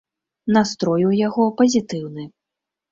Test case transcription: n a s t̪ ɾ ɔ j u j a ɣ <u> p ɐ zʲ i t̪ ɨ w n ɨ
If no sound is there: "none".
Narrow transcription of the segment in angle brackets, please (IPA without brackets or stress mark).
ɔ